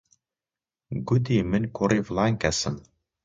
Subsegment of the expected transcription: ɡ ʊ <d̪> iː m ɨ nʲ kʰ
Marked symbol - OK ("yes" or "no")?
yes